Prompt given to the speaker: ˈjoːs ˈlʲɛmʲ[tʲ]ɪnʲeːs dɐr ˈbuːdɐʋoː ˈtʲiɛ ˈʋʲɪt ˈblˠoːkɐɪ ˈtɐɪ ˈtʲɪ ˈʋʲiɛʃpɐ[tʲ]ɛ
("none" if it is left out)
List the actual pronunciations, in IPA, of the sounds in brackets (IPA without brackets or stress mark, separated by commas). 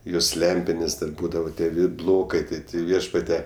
pʲ, tʲ